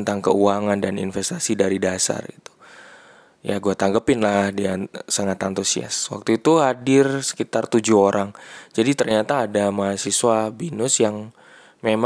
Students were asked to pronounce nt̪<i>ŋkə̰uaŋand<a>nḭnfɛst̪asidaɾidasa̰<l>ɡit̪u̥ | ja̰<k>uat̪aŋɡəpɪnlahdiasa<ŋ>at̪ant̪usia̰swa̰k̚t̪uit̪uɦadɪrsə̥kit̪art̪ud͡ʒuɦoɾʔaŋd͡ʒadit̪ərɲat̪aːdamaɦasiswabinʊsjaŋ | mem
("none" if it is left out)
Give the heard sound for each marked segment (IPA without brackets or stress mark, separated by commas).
a, a, r, ɡ, ŋ